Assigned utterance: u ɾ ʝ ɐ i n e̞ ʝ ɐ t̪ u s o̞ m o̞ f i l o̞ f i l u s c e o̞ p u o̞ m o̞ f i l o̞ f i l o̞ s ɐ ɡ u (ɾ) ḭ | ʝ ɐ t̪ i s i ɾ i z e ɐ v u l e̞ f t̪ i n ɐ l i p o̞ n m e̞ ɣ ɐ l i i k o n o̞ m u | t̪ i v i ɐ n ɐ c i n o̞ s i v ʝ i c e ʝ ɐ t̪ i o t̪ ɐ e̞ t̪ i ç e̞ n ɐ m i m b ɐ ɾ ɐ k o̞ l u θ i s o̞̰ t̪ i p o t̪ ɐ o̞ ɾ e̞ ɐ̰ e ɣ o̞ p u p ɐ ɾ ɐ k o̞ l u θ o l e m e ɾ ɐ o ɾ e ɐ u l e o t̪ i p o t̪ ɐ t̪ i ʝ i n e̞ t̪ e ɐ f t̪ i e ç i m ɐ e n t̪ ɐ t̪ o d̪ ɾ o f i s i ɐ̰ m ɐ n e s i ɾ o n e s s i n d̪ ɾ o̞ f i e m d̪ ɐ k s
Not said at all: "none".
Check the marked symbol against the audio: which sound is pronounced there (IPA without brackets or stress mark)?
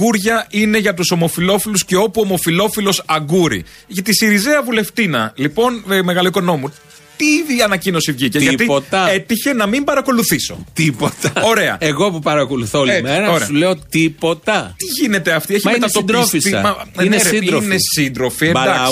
ɾ